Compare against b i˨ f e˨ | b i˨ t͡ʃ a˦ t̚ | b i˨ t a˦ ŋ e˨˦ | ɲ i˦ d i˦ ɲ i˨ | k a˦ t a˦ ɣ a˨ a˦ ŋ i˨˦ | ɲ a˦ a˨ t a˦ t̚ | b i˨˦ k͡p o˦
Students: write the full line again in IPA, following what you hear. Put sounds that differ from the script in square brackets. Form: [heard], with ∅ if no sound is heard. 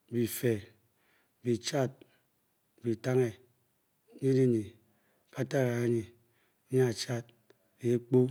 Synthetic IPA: b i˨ f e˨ | b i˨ t͡ʃ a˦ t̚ | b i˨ t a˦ ŋ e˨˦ | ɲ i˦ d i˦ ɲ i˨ | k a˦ t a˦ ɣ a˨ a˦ [ɲ] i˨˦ | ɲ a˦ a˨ [t͡ʃ] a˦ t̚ | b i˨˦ k͡p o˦